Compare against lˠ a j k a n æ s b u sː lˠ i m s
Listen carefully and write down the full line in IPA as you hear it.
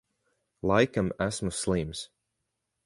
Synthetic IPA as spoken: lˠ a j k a m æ s m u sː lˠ i m s